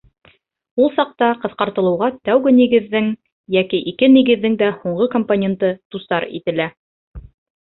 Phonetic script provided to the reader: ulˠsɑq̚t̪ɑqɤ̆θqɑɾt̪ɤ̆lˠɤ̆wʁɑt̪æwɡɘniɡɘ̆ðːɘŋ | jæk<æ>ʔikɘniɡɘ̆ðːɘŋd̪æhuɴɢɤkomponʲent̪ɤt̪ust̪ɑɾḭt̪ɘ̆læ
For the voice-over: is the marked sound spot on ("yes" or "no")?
no